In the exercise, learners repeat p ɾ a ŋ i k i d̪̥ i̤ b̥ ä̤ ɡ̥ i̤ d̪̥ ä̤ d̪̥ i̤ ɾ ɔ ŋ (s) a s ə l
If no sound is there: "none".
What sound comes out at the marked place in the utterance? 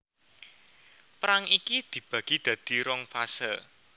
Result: f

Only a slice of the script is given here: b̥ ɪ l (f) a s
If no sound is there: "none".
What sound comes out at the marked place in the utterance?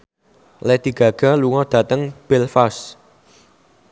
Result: f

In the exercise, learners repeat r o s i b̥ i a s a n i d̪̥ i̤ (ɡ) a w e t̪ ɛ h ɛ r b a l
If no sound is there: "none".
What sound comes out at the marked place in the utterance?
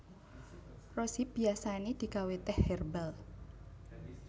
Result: k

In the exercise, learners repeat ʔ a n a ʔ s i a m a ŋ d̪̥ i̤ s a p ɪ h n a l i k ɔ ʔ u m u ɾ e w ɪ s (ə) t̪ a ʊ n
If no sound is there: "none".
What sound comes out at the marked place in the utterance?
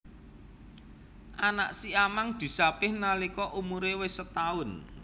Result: ə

